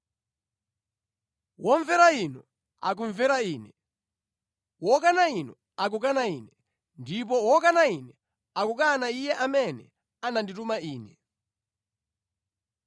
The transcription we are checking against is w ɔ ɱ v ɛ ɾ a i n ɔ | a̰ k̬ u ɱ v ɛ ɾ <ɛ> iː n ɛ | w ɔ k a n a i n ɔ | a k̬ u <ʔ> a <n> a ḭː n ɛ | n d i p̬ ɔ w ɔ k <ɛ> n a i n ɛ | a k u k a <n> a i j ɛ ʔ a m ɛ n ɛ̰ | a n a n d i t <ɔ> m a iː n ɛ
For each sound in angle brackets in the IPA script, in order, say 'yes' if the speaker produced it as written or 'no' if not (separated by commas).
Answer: no, no, yes, no, yes, no